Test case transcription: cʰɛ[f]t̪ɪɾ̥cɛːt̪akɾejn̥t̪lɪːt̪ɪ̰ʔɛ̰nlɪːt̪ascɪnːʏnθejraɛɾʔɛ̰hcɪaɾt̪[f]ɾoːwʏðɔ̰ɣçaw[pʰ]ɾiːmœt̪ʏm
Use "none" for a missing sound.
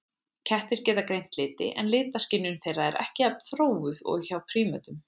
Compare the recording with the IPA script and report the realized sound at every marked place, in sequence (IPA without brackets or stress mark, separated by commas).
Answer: h, θ, pʰ